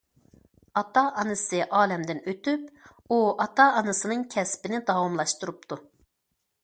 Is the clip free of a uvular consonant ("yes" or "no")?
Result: yes